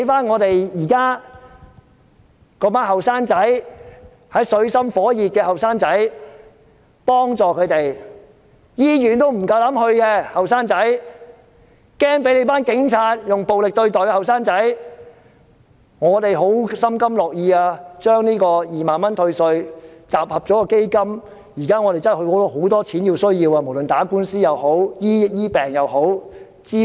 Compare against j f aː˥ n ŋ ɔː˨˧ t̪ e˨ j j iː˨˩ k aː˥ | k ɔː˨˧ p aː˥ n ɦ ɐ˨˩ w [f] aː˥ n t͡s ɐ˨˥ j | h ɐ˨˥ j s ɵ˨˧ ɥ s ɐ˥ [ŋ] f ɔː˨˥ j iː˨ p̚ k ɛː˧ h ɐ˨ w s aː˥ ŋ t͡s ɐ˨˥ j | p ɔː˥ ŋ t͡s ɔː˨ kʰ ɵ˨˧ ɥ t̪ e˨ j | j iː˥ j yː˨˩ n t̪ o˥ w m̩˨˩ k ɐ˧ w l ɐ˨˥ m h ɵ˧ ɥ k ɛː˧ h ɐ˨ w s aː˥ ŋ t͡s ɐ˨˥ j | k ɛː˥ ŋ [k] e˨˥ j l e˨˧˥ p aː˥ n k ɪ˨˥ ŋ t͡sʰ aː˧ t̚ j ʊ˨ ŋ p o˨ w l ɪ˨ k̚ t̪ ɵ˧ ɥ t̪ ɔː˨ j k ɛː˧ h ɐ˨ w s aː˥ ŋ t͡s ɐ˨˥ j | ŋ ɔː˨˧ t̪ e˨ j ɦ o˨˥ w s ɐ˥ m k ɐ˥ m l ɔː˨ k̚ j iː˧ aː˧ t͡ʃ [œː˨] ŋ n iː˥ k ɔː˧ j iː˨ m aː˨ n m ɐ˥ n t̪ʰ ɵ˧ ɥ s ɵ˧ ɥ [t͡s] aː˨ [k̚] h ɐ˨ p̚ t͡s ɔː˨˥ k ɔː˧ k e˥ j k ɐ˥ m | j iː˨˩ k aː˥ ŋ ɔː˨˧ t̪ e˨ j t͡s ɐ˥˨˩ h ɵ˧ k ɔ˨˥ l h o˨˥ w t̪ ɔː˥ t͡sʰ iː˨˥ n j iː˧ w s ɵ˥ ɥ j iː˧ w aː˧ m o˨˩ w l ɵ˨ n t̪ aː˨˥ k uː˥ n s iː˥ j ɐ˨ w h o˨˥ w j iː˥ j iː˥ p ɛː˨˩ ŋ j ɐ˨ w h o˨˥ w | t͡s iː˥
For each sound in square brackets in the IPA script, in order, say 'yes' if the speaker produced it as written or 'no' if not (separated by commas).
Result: no, no, no, no, yes, no